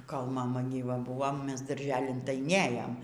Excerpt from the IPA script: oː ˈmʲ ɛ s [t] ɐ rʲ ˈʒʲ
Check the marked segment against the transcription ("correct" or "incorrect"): incorrect